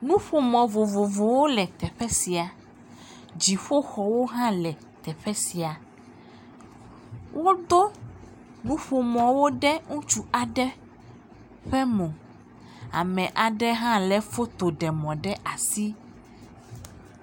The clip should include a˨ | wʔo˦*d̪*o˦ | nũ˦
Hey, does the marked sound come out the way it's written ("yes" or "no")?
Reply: yes